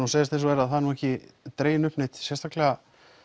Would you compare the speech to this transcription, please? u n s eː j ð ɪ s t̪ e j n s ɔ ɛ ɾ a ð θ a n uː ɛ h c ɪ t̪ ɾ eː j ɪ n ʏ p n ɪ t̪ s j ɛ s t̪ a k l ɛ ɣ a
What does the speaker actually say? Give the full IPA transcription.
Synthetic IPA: u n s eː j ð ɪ s t̪ e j n s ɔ ɛ ɾ a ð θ a n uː ɛ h c ɪ t̪ ɾ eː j ɪ n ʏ p n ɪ t̪ s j ɛ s t̪ a k l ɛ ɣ a